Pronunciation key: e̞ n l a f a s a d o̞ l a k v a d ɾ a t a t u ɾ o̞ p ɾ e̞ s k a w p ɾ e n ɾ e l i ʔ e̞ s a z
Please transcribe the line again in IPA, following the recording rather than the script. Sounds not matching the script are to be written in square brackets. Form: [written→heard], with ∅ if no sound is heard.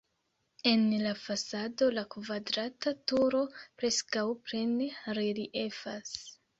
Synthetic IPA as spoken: e̞ n l a f a s a d o̞ l a k v a d ɾ a t a t u ɾ o̞ p ɾ e̞ s k a w p ɾ e n ɾ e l i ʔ e̞ [s→f] a [z→s]